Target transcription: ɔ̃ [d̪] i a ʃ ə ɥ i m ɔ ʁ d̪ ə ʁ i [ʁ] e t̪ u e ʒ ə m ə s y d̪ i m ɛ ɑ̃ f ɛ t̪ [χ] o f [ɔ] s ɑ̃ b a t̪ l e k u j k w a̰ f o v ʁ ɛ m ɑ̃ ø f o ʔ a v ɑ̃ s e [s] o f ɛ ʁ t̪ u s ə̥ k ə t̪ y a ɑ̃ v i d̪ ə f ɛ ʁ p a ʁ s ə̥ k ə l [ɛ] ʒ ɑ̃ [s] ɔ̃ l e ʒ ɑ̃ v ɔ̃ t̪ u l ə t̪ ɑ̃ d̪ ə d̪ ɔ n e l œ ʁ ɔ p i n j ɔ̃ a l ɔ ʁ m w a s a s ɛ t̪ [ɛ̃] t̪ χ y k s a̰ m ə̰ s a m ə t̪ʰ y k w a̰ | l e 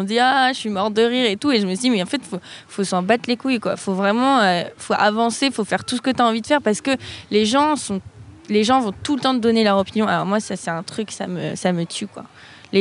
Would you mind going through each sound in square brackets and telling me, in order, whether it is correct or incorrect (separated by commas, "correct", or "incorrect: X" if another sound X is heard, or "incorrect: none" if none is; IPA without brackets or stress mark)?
correct, correct, incorrect: f, incorrect: o, incorrect: f, incorrect: e, correct, correct